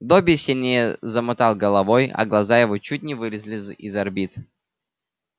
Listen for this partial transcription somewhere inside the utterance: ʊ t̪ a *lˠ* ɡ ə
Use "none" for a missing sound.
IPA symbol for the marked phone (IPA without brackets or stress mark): lˠ